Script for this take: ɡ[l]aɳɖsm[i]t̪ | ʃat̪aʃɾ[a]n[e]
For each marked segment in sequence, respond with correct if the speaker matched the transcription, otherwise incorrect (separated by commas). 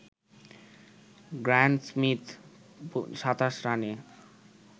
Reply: incorrect, correct, correct, correct